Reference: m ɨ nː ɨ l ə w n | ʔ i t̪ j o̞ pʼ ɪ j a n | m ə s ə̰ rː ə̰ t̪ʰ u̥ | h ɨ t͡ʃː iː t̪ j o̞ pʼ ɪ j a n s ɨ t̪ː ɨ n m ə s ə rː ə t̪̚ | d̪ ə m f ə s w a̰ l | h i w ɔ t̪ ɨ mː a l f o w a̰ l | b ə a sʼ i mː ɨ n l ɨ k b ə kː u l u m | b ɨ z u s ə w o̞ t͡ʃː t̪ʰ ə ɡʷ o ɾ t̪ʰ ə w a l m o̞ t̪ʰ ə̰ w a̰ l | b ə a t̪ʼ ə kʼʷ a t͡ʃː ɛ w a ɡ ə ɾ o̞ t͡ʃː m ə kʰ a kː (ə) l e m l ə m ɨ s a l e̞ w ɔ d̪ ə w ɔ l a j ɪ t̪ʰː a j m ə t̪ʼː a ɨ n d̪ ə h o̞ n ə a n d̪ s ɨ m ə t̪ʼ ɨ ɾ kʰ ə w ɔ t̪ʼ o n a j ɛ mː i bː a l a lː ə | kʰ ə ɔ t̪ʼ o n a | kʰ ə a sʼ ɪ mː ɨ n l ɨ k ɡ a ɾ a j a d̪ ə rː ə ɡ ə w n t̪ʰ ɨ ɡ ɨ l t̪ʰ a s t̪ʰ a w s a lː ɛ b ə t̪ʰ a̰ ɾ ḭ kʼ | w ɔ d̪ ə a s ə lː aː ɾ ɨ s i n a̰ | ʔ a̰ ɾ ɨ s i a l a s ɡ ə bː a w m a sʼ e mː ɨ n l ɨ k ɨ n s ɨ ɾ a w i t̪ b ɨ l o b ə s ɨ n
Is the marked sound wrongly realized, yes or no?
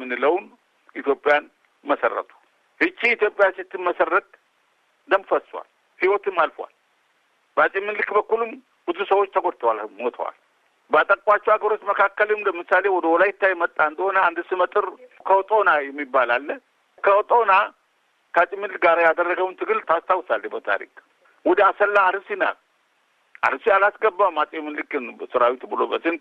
no